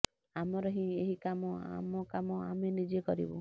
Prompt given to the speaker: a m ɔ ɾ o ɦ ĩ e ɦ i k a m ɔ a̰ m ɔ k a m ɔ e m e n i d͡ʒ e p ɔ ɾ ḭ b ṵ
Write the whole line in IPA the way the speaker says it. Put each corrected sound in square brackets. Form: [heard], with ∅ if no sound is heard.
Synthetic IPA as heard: a m ɔ ɾ [ɔ] ɦ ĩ e ɦ i k a m ɔ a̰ m ɔ k a m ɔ [a] m e n i d͡ʒ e [k] ɔ ɾ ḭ b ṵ

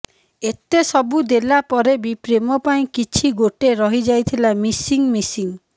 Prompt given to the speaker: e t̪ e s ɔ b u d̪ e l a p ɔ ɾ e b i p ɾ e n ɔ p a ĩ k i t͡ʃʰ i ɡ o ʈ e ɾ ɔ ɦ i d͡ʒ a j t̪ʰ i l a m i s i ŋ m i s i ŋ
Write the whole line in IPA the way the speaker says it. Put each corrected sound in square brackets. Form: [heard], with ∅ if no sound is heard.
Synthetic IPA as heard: e t̪ e s ɔ b u d̪ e l a p ɔ ɾ e b i p ɾ e [m] ɔ p a ĩ k i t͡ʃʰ i ɡ o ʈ e ɾ ɔ ɦ i d͡ʒ a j t̪ʰ i l a m i s i ŋ m i s i ŋ

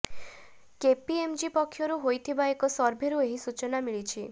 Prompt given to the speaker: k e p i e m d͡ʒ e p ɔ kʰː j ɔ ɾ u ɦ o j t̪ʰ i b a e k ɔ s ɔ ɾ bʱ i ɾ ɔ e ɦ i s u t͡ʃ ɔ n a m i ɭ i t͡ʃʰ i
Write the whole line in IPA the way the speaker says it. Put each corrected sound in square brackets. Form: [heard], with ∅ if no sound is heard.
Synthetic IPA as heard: k e p i e m d͡ʒ [i] p ɔ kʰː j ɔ ɾ u ɦ o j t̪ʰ i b a e k ɔ s ɔ ɾ bʱ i ɾ [u] e ɦ i s u t͡ʃ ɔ n a m i ɭ i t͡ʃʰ i

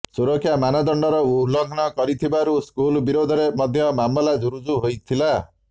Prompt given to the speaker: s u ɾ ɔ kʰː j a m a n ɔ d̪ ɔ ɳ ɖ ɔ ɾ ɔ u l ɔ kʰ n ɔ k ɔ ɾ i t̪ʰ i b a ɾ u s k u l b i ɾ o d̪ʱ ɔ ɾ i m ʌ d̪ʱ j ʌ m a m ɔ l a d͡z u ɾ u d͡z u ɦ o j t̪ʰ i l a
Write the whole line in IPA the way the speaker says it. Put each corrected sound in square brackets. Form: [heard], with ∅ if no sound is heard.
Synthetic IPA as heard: s u ɾ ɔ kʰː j a m a n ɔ d̪ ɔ ɳ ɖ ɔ ɾ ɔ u l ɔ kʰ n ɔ k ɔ ɾ i t̪ʰ i b a ɾ u s k u l b i ɾ o d̪ʱ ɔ ɾ [e] m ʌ d̪ʱ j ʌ m a m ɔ l a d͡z u ɾ u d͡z u ɦ o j t̪ʰ i l a

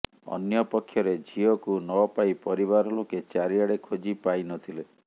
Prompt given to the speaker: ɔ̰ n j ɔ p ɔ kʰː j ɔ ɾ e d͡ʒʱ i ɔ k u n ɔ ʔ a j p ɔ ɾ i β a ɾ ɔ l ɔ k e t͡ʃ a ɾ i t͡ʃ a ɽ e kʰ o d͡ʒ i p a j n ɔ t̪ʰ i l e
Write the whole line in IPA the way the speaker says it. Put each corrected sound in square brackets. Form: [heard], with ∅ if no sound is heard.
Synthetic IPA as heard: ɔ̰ n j ɔ p ɔ kʰː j ɔ ɾ e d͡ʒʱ i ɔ k u n ɔ [p] a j p ɔ ɾ i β a ɾ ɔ l [o] k e t͡ʃ a ɾ i [∅] a ɽ e kʰ o d͡ʒ i p a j n ɔ t̪ʰ i l e

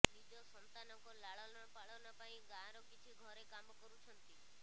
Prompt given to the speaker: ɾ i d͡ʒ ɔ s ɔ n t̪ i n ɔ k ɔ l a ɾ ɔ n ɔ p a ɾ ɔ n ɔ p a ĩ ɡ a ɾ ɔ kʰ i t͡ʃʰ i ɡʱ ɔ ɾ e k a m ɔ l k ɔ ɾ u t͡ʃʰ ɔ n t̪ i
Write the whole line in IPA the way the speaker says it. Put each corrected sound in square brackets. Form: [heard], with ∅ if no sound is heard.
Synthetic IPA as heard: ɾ i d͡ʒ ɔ s ɔ n t̪ [a] n ɔ k ɔ l a [ɭ] ɔ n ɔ p a [ɭ] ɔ n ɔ p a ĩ ɡ a ɾ ɔ [k] i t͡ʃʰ i ɡʱ ɔ ɾ e k a m ɔ [∅] k ɔ ɾ u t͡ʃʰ ɔ n t̪ i

